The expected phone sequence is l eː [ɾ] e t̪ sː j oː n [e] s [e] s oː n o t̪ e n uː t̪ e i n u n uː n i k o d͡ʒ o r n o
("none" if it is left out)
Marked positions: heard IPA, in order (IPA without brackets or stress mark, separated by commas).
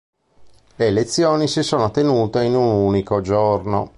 l, i, i